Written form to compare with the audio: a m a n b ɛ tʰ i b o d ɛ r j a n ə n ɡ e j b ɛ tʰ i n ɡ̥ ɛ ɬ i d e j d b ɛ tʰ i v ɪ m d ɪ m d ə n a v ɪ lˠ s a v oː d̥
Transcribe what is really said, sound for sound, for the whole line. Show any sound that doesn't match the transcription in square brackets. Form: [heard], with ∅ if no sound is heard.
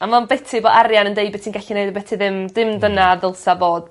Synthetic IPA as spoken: a m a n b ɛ tʰ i b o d [a] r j a n ə n [d] e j b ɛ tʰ i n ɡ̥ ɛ ɬ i [n] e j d b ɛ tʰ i [ð] ɪ m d ɪ m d ə n a [ð] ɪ lˠ s a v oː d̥